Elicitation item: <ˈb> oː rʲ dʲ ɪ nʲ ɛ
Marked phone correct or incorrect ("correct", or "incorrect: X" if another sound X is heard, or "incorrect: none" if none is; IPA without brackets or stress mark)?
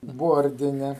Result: correct